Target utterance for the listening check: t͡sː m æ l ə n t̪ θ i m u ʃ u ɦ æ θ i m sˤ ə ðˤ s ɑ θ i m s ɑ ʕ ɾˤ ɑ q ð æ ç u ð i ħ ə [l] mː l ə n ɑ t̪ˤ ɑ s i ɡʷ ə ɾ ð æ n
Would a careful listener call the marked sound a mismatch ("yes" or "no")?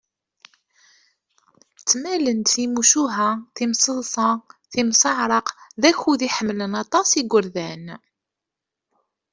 yes